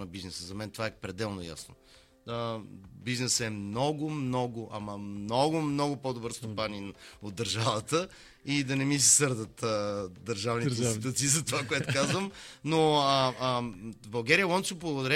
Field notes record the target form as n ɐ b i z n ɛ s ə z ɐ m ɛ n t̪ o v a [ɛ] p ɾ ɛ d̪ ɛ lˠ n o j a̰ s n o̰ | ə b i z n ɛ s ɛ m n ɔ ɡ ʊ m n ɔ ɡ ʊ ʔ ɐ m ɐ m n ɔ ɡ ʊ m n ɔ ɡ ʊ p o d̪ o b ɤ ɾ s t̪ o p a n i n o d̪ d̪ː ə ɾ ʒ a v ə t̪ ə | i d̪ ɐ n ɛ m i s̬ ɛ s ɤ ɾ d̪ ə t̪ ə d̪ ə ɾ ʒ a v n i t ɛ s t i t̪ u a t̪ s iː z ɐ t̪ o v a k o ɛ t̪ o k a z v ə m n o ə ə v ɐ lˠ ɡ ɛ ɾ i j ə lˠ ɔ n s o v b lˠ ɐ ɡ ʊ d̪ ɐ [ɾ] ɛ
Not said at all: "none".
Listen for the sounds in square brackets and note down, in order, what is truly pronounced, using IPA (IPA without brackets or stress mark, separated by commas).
ɛ, ɾ